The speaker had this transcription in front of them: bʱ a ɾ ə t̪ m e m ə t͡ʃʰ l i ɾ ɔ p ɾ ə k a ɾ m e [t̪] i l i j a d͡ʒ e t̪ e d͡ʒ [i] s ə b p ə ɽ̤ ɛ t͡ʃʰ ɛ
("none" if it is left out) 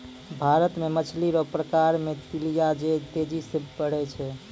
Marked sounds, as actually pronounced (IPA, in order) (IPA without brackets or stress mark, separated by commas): t̪, i